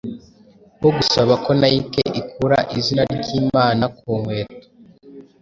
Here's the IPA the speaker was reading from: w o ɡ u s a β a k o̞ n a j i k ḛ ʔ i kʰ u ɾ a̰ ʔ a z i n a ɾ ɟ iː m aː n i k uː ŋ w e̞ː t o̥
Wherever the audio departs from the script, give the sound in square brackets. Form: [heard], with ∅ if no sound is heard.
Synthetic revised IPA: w o ɡ u s a β a k o̞ n a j i k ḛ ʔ i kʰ u ɾ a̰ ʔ [i] z i n a ɾ ɟ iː m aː n [a] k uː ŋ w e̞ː t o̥